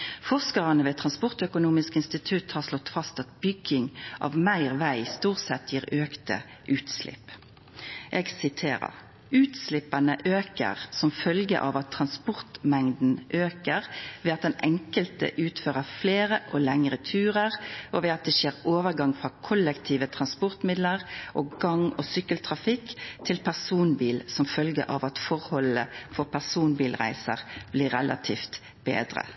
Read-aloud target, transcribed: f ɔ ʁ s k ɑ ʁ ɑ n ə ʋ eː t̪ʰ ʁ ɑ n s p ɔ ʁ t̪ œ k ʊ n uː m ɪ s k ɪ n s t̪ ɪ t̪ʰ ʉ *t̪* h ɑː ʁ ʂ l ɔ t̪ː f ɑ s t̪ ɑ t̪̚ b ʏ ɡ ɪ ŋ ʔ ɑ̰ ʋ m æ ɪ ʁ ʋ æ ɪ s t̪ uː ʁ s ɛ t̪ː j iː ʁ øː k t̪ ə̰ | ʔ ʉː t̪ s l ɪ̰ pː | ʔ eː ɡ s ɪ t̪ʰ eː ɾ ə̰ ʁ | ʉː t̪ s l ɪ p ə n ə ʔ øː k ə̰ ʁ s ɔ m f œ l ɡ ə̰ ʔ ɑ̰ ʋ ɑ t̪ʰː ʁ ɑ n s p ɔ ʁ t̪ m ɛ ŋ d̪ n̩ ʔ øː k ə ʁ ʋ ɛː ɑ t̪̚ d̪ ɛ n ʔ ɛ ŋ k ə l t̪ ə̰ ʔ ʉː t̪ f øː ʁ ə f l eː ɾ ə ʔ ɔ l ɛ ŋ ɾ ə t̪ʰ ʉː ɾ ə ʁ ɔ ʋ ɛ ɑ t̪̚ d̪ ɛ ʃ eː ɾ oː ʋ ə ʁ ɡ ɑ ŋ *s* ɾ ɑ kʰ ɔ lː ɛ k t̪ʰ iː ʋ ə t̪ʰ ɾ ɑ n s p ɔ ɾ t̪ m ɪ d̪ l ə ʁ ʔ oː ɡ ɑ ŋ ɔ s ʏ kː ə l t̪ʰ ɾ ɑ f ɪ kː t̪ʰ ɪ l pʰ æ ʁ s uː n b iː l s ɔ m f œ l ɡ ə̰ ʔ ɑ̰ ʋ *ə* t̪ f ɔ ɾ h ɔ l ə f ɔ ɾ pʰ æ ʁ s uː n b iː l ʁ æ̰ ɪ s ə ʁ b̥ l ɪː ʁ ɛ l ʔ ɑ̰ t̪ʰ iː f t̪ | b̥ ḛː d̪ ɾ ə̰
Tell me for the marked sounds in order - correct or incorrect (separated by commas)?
correct, incorrect, incorrect